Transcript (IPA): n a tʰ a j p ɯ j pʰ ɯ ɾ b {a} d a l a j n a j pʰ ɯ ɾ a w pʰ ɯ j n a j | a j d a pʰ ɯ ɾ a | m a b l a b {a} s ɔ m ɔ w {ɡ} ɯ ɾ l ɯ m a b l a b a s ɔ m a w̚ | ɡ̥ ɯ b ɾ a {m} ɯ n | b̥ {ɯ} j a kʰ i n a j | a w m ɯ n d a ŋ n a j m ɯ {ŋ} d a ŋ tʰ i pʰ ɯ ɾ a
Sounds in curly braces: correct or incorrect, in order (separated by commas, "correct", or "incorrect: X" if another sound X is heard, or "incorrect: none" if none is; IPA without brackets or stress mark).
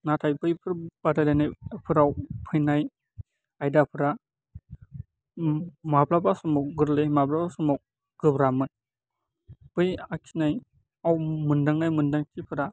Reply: correct, correct, correct, correct, correct, incorrect: n